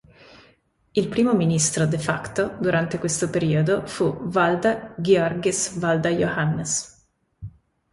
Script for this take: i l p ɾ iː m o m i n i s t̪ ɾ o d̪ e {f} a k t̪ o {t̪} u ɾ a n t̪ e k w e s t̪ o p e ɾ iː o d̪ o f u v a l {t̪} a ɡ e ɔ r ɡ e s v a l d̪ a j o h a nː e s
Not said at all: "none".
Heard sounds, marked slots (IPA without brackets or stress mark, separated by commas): f, d̪, d̪